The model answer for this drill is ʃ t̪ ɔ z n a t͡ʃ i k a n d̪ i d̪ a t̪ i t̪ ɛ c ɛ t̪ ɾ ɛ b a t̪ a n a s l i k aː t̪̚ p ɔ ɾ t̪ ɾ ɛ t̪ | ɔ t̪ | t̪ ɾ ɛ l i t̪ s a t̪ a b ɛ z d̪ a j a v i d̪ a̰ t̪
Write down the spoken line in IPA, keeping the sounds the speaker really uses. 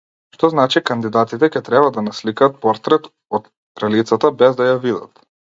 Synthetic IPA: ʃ t̪ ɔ z n a t͡ʃ i k a n d̪ i d̪ a t̪ i t̪ ɛ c ɛ t̪ ɾ ɛ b a d̪ a n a s l i k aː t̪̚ p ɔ ɾ t̪ ɾ ɛ t̪ | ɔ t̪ | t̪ ɾ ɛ l i t̪ s a t̪ a b ɛ z d̪ a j a v i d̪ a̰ t̪